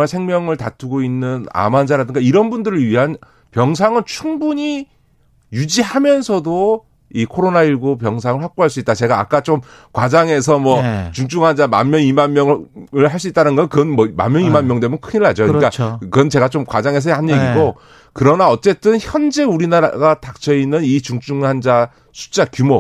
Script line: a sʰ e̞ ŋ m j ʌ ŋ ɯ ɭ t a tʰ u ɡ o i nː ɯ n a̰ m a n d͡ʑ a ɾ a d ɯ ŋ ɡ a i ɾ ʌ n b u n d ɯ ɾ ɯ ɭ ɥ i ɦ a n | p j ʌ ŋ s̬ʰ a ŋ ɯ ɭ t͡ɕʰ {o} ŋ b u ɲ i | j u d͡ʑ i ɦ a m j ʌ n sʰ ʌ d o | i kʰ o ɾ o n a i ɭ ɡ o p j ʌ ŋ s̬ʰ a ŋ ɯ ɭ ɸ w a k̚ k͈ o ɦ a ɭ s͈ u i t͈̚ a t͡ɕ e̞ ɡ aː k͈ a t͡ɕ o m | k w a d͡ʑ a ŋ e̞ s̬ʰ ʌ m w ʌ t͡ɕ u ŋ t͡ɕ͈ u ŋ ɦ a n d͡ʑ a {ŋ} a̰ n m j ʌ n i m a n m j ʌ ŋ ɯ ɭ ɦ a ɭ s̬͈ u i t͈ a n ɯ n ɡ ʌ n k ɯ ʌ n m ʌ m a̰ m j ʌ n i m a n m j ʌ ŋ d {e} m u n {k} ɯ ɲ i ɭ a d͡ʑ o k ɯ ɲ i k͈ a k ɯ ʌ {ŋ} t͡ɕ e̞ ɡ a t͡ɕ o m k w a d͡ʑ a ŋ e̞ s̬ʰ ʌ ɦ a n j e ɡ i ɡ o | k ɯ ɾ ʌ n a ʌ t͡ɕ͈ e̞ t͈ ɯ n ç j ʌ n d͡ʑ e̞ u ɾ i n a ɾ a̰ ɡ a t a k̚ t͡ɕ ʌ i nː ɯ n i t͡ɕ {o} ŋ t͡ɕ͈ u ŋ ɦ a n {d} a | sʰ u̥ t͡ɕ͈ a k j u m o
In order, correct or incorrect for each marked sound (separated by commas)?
incorrect, incorrect, correct, incorrect, incorrect, incorrect, incorrect